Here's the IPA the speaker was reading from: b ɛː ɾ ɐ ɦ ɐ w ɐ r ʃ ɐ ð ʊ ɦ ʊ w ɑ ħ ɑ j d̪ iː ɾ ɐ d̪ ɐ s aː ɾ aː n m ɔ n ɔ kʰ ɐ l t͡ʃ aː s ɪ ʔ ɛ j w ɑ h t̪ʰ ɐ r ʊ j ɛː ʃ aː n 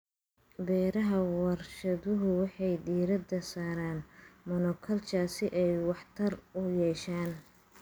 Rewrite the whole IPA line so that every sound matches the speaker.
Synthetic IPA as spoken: b ɛː ɾ ɐ ɦ ɐ w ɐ r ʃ ɐ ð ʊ ɦ ʊ w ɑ ħ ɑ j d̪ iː ɾ ɐ d̪ ɐ s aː ɾ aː n m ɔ n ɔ kʰ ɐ l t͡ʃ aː s ɪ ʔ ɛ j w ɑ ħ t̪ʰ ɐ r ʊ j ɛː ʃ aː n

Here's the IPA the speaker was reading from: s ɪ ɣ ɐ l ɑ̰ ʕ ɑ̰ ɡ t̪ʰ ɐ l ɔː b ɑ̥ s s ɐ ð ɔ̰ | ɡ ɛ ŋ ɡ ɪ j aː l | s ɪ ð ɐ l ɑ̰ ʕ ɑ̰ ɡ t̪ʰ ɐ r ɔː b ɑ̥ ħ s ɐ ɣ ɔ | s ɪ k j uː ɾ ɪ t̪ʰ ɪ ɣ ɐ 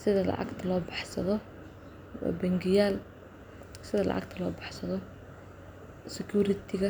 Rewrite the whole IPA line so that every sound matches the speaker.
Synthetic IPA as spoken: s ɪ ð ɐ l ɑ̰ ʕ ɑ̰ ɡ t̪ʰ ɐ l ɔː b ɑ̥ ħ s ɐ ð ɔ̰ | b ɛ ŋ ɡ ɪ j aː l | s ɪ ð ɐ l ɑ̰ ʕ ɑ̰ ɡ t̪ʰ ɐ l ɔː b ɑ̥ ħ s ɐ ð ɔ | s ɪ k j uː ɾ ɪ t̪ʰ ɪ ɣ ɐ

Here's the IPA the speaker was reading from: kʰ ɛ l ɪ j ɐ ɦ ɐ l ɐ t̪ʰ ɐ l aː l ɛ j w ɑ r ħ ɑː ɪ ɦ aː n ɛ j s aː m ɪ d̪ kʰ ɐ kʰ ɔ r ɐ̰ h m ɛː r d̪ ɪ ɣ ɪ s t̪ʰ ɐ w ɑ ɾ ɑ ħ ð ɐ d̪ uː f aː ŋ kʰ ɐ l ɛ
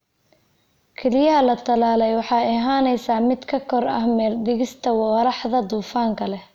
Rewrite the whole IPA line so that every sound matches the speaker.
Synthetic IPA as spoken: kʰ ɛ l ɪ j ɐ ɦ ɐ l ɐ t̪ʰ ɐ l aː l ɛ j w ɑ ħ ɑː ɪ ɦ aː n ɛ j s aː m ɪ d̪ kʰ ɐ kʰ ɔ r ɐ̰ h m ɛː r d̪ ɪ ɣ ɪ s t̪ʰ ɐ w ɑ ɾ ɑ ħ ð ɐ d̪ uː f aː ŋ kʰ ɐ l ɛ

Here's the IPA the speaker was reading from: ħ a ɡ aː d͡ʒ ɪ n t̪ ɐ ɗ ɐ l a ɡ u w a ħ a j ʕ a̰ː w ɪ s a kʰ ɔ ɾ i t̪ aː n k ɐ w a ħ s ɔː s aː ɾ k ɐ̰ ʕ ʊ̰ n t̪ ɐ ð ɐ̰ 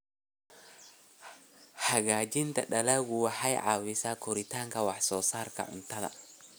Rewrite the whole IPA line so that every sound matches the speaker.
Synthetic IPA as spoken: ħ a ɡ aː d͡ʒ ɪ n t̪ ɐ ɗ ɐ l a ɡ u w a ħ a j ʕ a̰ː w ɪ s a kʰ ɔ ɾ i t̪ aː ŋ k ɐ w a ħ s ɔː s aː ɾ k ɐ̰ ʕ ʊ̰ n t̪ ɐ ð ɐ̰

